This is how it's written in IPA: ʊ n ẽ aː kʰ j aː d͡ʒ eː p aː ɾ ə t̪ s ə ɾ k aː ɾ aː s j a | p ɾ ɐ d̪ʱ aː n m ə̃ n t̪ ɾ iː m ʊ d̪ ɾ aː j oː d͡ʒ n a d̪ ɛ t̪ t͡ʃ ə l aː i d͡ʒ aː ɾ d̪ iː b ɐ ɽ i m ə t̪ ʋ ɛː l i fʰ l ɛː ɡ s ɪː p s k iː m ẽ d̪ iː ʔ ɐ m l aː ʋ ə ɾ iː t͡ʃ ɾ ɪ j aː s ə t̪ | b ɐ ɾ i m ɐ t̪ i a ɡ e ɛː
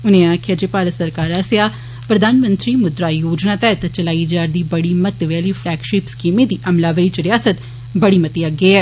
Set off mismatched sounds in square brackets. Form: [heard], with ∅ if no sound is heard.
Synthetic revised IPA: ʊ n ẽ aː kʰ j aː d͡ʒ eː p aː ɾ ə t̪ s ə ɾ k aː ɾ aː s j a | p ɾ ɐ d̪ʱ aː n m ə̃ n t̪ ɾ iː m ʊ d̪ ɾ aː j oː d͡ʒ n a [t̪] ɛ t̪ t͡ʃ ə l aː i d͡ʒ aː ɾ d̪ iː b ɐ ɽ i m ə t̪ ʋ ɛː l i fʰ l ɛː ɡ [ʃ] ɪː p s k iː m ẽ d̪ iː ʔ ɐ m l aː ʋ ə ɾ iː t͡ʃ ɾ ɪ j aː s ə t̪ | b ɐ [ɽ] i m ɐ t̪ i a ɡ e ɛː